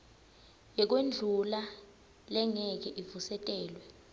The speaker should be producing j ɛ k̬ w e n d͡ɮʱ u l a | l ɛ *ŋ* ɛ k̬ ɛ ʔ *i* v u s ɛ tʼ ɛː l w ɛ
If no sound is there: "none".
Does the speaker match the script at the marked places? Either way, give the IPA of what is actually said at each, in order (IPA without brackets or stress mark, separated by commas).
ŋ, i